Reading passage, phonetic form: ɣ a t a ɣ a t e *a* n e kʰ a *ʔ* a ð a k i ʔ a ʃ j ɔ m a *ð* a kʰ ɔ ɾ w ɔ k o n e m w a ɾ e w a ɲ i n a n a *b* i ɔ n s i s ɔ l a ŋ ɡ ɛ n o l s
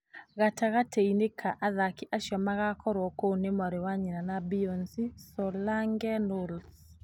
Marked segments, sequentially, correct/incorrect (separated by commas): incorrect, correct, incorrect, correct